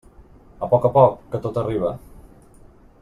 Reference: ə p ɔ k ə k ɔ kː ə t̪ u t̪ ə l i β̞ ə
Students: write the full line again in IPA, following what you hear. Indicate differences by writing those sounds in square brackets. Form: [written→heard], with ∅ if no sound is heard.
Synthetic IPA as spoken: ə p ɔ k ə [k→p] ɔ kː ə t̪ [u→o] t̪ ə [l→r] i β̞ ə